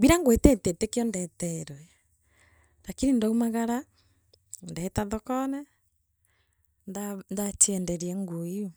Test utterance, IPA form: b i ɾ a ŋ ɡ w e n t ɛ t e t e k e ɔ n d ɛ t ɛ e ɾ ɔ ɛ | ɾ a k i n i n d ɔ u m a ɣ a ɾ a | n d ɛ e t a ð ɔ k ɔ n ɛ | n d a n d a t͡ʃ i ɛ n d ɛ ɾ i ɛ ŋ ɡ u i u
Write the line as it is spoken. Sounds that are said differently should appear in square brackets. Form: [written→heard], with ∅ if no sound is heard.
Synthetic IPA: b i ɾ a ŋ ɡ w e [n→∅] t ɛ t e t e k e ɔ n d ɛ t ɛ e ɾ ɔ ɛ | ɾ a k i n i n d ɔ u m a ɣ a ɾ a | n d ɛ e t a ð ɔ k ɔ n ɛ | n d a n d a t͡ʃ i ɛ n d ɛ ɾ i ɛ ŋ ɡ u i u